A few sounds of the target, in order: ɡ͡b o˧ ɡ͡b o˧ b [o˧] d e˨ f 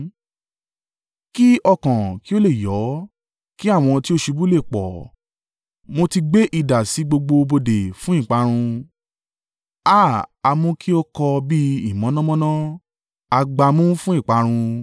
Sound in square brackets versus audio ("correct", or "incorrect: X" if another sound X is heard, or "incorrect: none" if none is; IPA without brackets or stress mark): correct